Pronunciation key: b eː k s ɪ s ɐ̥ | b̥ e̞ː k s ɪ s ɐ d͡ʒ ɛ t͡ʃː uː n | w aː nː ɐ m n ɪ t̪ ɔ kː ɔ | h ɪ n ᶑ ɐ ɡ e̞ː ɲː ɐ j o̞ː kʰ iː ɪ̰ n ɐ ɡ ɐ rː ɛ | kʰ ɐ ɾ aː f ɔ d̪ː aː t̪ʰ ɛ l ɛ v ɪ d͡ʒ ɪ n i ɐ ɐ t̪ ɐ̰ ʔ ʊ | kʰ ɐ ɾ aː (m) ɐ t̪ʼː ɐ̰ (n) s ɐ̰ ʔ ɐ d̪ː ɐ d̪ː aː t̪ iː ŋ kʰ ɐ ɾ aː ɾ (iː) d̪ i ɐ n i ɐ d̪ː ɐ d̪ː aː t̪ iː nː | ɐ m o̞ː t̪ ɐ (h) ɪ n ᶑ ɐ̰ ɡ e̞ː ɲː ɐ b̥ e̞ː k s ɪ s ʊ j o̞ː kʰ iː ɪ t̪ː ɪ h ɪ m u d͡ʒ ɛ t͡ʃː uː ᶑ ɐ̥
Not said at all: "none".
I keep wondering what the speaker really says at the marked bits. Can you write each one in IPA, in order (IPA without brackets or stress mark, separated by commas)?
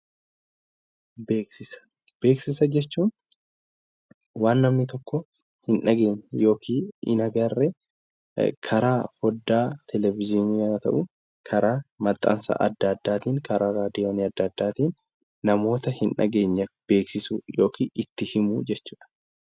m, n, aː, h